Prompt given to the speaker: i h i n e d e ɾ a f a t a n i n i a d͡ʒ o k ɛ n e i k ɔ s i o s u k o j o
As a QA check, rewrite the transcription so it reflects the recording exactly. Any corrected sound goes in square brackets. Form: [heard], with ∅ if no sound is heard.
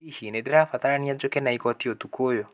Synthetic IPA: i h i n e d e ɾ a f a t a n [a] n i a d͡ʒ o k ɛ n [a] i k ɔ [t] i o [t] u k o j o